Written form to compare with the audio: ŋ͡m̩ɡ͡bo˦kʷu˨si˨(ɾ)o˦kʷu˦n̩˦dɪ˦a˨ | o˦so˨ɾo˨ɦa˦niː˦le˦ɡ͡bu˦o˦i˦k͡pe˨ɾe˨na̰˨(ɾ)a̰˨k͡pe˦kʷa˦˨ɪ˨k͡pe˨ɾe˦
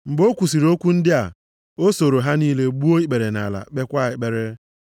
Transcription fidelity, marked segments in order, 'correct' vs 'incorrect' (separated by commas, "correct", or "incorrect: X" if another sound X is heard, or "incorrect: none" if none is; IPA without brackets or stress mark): correct, incorrect: l